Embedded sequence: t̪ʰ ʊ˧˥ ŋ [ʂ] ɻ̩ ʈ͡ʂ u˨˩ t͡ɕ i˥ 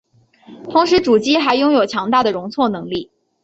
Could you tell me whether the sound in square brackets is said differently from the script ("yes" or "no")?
no